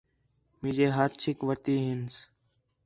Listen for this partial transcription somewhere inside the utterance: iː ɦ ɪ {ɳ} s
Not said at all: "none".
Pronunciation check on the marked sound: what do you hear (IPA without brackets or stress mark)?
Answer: n